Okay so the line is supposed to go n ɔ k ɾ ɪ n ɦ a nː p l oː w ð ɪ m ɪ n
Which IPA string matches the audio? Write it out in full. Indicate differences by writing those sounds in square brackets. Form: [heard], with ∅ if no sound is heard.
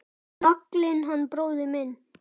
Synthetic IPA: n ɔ k [l] ɪ n ɦ a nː p [ɾ] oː w ð ɪ m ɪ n